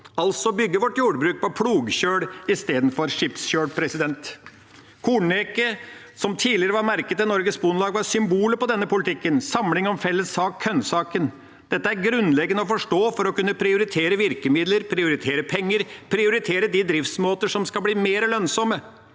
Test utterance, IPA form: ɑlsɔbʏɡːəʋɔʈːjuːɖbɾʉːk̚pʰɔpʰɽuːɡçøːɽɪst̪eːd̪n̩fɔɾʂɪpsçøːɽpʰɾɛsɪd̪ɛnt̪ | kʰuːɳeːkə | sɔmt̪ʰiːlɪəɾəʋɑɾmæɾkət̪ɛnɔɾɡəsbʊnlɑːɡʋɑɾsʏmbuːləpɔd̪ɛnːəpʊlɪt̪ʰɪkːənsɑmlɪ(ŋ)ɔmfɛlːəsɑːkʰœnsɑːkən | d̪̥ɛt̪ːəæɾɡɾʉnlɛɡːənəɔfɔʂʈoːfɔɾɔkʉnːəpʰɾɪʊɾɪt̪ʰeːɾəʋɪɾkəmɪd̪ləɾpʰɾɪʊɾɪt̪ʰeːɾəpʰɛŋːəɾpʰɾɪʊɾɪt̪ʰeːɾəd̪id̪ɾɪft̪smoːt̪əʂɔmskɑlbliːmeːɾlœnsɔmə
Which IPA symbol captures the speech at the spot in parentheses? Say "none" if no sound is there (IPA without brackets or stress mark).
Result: ŋ